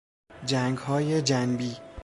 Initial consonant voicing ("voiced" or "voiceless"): voiced